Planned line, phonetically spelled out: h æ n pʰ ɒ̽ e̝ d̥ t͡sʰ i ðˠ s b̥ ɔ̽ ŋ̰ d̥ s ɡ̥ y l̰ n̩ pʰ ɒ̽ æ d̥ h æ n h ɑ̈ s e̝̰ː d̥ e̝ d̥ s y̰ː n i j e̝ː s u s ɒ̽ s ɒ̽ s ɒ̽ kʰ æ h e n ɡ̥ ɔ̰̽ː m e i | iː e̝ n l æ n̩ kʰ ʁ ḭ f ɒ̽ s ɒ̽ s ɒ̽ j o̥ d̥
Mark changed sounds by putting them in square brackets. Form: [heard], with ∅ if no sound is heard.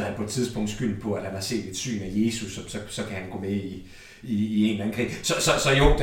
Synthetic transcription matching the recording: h æ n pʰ ɒ̽ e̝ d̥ t͡sʰ i ðˠ s b̥ ɔ̽ ŋ̰ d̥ s ɡ̥ y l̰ n̩ pʰ ɒ̽ æ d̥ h æ n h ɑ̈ s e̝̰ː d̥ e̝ d̥ s y̰ː n [æ] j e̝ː s u s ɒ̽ s ɒ̽ s ɒ̽ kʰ æ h [æ] n ɡ̥ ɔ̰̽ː m e i | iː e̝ n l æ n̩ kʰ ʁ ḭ [s] ɒ̽ s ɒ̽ s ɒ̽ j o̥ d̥